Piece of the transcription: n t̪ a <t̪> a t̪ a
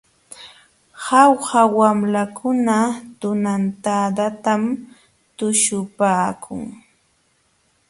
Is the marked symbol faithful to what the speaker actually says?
no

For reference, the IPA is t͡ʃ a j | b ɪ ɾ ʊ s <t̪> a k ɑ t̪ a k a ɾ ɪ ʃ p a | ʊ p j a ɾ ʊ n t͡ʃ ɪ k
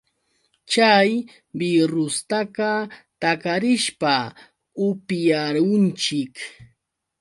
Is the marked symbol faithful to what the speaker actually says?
yes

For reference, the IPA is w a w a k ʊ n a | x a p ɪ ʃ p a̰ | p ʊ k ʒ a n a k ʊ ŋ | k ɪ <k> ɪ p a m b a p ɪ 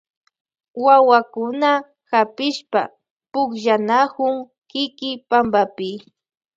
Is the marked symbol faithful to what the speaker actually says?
yes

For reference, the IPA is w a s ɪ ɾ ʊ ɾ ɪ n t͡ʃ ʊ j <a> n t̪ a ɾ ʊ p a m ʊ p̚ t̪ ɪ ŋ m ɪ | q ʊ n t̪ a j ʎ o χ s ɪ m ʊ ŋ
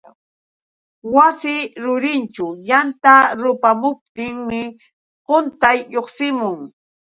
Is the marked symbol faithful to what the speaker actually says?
yes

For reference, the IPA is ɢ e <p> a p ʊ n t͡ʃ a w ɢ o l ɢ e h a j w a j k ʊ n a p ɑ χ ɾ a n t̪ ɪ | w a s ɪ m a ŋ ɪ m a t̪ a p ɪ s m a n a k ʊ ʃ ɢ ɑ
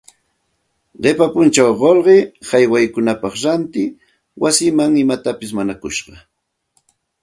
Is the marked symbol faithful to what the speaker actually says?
yes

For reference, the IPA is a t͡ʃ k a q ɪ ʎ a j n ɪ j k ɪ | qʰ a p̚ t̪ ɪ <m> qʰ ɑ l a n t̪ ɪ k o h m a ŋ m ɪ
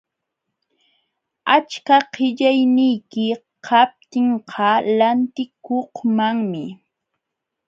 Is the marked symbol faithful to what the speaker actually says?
no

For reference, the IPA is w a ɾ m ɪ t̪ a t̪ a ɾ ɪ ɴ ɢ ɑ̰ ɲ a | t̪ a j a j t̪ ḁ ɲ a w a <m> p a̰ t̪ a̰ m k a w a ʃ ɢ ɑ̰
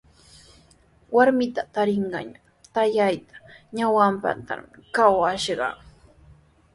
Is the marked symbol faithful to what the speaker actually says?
yes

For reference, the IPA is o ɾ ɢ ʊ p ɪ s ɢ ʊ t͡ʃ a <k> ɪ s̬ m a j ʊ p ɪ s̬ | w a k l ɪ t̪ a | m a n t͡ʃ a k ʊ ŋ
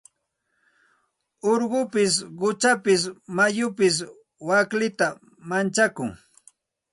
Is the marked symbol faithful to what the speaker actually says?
no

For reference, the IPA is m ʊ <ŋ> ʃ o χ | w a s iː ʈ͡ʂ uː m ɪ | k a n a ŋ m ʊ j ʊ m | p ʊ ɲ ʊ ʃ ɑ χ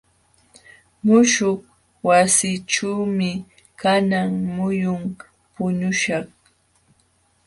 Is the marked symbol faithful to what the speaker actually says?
no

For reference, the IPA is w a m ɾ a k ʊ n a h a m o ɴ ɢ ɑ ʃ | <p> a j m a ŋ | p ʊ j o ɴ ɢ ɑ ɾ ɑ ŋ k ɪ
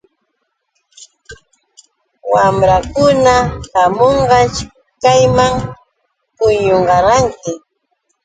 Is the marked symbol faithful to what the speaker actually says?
no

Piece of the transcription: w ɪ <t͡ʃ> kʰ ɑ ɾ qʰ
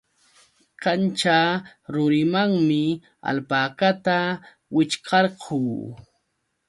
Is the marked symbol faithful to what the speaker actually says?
yes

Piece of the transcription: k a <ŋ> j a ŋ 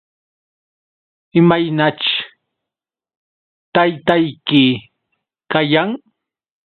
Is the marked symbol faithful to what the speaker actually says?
no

